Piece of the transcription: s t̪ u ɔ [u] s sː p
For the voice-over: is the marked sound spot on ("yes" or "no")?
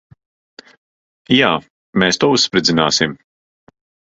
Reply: yes